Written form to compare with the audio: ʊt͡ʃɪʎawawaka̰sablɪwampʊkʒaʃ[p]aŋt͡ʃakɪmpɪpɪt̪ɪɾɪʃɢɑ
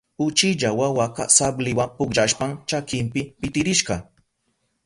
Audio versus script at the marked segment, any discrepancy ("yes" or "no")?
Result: no